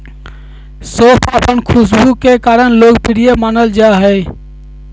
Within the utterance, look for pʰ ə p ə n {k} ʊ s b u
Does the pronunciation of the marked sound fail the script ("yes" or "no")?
yes